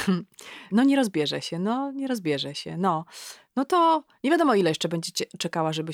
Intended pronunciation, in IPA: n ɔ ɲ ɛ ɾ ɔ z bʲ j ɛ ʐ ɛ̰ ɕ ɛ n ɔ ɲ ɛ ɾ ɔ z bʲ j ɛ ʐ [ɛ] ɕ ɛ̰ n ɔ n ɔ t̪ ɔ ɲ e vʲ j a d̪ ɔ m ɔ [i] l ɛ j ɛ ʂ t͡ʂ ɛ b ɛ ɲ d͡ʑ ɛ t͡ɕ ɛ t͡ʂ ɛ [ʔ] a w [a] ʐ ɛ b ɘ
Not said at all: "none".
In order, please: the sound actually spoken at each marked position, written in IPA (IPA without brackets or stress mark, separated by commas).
ɛ, i, k, a